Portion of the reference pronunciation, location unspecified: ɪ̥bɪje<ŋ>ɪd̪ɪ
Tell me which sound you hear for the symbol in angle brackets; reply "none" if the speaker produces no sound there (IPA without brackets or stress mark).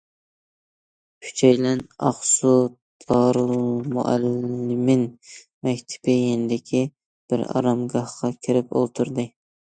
n